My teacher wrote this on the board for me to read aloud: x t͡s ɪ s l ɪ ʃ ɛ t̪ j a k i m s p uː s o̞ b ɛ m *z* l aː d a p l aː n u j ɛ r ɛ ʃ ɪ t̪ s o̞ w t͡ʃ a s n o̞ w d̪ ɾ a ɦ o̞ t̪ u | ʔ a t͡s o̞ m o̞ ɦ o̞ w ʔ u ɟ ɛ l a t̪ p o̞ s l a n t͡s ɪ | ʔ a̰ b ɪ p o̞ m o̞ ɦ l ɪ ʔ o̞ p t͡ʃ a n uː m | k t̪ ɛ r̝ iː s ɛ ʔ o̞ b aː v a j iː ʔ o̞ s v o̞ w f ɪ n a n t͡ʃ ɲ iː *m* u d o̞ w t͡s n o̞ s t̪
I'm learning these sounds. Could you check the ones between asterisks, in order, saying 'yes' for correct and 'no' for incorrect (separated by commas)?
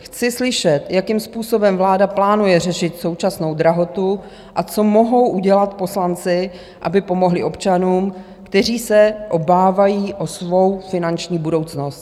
no, no